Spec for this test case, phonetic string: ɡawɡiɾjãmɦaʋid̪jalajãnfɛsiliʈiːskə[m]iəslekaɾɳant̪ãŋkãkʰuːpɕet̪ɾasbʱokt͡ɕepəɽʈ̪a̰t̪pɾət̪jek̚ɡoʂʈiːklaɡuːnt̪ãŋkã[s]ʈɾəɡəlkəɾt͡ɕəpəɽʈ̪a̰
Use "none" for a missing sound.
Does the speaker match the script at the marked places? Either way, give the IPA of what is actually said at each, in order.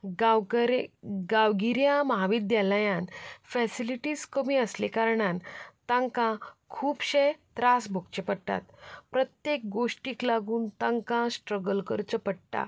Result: m, s

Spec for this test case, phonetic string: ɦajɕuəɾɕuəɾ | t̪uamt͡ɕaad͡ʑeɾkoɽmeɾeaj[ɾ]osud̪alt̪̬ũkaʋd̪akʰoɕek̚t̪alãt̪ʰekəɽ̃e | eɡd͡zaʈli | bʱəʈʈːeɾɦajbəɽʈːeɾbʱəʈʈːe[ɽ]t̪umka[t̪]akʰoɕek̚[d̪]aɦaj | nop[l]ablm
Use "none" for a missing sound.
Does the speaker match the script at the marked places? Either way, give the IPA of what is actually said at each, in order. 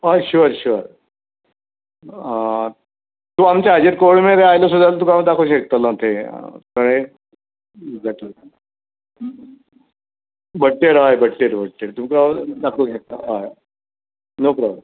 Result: l, ɾ, d̪, t̪, ɾ

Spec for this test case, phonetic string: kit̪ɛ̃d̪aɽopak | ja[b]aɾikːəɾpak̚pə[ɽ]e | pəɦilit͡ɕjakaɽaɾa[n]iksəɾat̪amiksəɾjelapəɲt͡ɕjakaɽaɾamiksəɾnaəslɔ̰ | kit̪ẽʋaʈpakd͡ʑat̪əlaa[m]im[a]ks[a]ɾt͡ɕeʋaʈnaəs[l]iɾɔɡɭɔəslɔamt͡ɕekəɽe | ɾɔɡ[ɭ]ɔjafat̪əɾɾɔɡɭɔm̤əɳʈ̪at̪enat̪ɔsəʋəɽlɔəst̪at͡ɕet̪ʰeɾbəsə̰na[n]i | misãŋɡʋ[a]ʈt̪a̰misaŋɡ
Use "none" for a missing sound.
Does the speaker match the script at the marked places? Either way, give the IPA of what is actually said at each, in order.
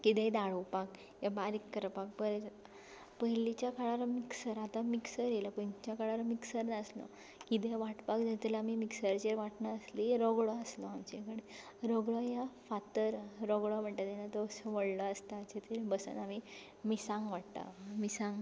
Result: b, ɾ, m, m, i, ə, l, ɭ, m, a

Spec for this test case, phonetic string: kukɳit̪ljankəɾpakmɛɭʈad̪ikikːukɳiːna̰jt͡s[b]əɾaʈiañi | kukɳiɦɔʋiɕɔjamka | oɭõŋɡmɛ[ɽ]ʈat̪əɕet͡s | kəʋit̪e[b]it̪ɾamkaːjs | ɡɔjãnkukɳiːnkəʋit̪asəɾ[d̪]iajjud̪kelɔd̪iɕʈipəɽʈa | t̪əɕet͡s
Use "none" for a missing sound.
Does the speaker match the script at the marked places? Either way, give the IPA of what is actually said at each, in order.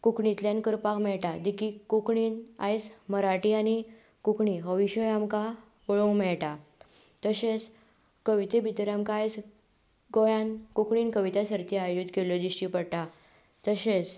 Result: m, ɭ, b, t̪

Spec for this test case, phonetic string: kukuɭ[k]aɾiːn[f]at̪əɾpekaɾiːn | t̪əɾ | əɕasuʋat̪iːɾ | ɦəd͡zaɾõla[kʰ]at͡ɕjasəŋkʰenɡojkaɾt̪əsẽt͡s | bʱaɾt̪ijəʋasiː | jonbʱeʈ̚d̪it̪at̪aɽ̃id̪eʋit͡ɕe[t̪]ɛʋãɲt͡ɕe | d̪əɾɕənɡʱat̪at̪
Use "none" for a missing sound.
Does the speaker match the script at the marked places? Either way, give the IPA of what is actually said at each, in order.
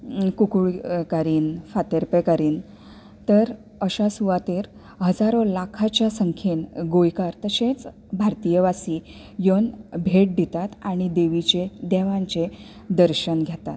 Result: k, f, kʰ, d̪

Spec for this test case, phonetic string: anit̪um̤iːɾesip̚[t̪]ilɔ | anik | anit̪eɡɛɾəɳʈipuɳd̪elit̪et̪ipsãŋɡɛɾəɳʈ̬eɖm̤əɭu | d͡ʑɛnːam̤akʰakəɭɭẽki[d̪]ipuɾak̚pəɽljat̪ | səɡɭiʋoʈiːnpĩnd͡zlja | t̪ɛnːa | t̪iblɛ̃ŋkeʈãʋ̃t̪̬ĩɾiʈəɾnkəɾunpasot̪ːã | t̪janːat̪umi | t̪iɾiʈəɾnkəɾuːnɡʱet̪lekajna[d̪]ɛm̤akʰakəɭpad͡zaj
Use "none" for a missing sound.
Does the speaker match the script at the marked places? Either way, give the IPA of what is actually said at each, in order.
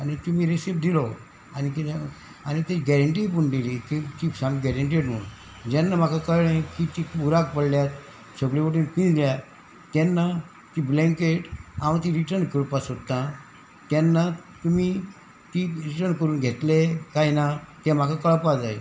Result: d̪, t̪, t̪

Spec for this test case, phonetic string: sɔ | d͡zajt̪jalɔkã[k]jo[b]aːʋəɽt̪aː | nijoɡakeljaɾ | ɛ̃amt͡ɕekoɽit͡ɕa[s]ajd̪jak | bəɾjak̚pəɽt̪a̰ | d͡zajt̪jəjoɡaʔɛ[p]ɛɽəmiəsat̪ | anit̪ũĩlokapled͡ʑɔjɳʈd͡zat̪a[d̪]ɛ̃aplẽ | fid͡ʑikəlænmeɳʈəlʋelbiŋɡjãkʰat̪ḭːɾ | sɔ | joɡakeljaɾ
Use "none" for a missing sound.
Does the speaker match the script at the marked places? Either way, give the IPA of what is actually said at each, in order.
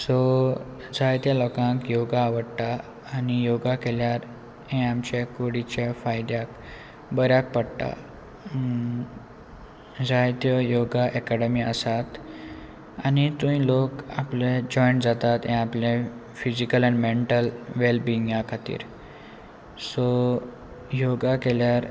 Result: k, ɡ, f, k, t̪

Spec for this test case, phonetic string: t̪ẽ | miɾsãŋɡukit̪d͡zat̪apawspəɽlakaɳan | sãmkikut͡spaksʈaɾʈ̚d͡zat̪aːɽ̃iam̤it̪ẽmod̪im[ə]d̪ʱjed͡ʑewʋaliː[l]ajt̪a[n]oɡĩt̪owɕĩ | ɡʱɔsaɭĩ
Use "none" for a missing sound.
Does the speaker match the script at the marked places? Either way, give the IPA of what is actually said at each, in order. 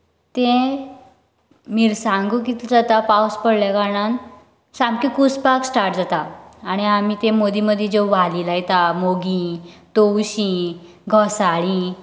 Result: ə, l, m

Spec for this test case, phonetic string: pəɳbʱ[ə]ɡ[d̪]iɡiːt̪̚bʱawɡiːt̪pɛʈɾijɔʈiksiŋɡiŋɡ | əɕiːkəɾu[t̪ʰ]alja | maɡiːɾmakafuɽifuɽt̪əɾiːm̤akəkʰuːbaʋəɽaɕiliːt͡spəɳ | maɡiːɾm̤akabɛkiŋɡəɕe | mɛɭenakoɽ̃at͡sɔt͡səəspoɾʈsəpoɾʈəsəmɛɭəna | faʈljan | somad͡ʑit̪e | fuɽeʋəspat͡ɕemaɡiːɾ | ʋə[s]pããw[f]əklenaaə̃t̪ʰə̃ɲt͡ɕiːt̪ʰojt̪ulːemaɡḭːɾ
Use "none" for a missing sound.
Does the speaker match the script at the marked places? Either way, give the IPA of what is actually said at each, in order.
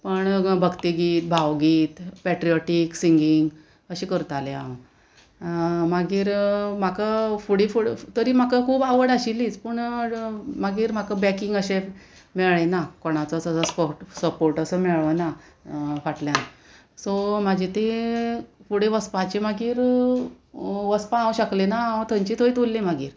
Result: ə, t̪, t̪, s, ɕ

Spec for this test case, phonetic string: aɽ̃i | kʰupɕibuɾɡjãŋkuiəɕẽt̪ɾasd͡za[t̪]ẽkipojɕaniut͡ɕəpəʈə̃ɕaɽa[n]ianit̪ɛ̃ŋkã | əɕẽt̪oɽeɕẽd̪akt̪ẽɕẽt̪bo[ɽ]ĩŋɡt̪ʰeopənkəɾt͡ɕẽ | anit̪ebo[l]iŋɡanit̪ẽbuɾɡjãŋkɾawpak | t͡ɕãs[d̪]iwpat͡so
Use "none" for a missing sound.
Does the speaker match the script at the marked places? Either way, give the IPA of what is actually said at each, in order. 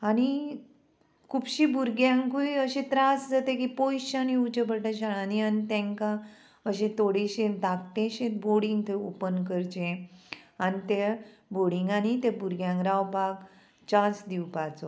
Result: t̪, n, ɽ, ɽ, d̪

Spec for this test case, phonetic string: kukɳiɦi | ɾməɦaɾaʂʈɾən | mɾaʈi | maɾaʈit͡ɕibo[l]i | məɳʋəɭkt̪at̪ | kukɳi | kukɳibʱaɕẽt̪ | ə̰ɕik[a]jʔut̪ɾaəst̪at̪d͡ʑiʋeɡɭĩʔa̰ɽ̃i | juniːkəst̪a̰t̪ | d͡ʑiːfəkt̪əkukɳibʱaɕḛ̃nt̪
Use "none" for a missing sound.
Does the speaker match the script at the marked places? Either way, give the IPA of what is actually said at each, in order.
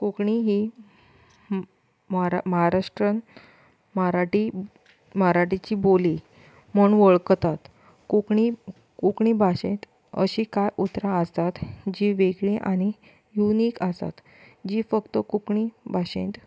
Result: l, a

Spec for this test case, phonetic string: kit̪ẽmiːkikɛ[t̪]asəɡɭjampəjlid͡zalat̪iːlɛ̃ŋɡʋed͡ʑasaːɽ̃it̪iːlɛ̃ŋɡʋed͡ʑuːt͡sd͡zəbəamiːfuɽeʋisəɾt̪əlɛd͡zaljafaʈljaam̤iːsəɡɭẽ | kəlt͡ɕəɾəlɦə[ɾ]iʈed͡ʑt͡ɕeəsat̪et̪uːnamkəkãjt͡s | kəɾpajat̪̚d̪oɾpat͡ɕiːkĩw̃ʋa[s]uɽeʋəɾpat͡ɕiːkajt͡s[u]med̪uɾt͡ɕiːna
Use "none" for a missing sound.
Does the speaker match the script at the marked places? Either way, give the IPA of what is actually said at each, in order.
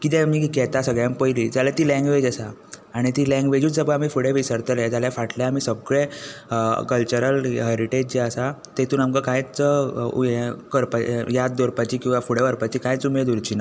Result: t̪, ɾ, f, u

